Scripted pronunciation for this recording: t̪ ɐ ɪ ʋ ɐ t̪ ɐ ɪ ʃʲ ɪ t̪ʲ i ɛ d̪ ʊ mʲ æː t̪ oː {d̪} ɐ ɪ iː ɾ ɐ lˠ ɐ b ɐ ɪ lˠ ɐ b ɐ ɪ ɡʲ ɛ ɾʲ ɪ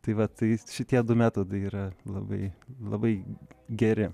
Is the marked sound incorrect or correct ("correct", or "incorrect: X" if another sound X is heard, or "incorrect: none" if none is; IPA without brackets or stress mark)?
correct